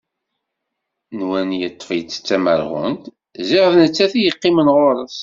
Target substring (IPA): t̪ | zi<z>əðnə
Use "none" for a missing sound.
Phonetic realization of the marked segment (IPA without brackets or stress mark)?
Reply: ʁ